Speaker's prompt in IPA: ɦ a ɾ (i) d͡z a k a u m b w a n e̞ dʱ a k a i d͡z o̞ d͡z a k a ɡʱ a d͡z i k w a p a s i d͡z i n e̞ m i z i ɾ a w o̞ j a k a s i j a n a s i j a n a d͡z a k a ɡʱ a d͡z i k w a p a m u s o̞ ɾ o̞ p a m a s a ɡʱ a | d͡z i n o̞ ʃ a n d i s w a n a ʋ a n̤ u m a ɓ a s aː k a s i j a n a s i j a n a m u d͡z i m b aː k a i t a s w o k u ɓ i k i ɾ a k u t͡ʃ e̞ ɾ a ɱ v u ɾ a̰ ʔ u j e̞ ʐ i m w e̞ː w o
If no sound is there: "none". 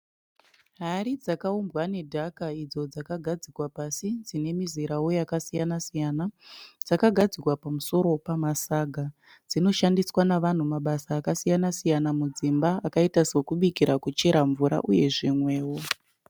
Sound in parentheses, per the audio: i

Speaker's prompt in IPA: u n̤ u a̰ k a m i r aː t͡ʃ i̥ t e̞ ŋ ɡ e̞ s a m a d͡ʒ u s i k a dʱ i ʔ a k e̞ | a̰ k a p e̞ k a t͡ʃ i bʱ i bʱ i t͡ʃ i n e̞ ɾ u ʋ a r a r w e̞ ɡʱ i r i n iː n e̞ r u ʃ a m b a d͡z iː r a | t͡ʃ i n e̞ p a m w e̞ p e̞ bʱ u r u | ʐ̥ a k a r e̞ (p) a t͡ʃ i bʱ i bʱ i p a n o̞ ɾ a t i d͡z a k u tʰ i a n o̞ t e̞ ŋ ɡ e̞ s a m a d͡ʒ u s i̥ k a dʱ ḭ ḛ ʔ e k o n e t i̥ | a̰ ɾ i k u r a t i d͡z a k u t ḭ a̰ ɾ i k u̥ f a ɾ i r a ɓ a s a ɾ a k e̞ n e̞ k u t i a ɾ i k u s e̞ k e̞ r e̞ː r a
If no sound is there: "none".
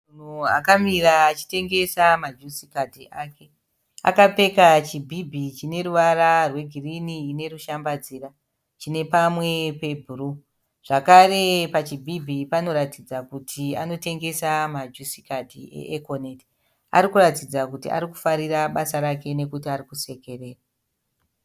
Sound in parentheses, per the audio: p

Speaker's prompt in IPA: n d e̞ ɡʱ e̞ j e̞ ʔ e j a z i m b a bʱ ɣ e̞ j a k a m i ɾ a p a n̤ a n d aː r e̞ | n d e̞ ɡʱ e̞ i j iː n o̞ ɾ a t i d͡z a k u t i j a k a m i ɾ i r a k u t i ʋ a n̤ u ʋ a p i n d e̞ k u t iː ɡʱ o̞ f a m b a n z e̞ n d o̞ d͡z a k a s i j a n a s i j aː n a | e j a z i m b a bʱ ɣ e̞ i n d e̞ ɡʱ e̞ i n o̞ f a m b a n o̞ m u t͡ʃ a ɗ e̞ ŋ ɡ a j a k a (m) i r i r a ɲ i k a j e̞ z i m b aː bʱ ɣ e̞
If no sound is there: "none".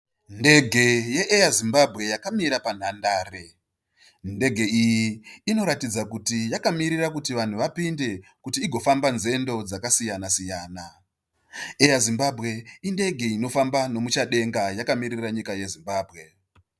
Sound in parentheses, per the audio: m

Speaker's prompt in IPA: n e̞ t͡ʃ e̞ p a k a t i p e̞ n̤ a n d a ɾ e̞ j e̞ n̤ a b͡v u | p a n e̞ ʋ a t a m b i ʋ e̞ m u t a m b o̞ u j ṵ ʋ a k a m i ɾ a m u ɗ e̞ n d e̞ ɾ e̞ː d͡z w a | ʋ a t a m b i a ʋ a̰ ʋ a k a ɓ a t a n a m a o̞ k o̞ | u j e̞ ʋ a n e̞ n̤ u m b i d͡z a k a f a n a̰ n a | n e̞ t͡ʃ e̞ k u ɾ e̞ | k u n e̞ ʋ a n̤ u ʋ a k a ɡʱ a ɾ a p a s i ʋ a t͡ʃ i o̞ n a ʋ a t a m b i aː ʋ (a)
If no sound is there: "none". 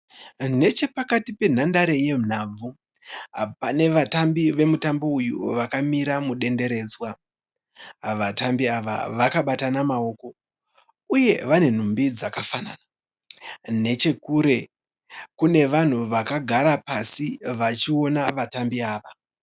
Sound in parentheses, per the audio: a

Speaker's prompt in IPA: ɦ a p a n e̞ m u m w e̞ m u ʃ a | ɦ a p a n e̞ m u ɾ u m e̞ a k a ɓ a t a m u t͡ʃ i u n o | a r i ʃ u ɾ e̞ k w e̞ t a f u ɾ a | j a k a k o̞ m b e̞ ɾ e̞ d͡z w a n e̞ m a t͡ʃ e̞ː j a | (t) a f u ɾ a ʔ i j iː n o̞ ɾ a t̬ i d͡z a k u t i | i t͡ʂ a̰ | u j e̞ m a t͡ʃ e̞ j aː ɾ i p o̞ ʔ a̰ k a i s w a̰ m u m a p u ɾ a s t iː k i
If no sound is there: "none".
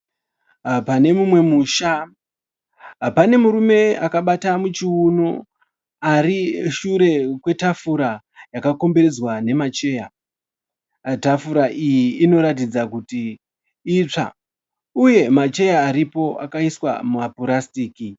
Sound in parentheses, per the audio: t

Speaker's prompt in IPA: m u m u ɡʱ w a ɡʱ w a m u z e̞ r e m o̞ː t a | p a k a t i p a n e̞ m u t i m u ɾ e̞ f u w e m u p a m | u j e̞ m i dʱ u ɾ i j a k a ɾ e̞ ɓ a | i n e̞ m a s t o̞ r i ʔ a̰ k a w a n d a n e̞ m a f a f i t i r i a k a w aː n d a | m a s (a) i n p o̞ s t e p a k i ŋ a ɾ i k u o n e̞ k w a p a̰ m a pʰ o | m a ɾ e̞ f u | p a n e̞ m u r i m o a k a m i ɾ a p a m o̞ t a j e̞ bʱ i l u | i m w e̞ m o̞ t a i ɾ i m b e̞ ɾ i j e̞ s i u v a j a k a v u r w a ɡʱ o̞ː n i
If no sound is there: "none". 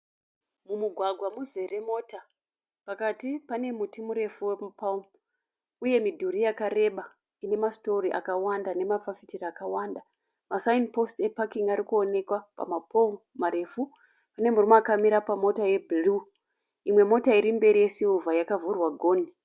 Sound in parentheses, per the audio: a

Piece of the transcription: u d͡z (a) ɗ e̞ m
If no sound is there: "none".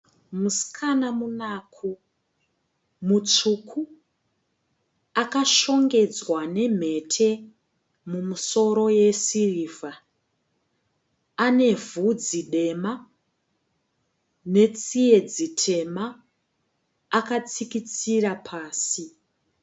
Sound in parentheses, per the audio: i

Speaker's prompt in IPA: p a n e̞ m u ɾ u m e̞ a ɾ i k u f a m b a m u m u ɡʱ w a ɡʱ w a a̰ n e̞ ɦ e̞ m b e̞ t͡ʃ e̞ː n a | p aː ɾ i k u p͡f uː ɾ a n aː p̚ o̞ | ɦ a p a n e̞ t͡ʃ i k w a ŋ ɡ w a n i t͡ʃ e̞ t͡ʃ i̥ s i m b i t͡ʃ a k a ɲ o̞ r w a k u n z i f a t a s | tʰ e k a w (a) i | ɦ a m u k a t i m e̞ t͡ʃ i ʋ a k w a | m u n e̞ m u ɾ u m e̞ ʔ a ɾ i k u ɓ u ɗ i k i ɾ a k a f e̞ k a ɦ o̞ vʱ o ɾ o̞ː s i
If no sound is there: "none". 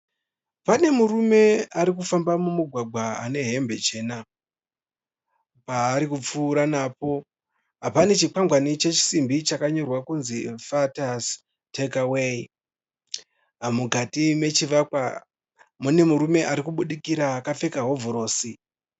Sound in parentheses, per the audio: e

